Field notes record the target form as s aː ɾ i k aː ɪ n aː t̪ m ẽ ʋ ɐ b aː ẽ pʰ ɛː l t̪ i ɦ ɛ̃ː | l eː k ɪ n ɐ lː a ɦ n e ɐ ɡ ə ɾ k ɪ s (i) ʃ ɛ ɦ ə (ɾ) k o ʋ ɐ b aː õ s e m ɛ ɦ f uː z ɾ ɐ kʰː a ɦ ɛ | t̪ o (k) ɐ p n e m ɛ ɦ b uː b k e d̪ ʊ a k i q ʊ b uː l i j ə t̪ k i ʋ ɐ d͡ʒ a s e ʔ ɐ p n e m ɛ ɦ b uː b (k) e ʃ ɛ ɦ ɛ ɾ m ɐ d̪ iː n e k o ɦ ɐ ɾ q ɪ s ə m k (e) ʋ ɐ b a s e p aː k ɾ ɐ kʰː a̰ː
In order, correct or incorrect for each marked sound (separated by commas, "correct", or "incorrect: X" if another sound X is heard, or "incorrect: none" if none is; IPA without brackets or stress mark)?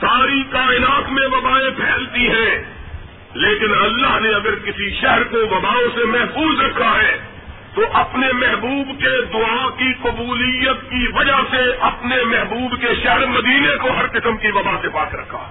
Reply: correct, correct, incorrect: ʔ, correct, incorrect: i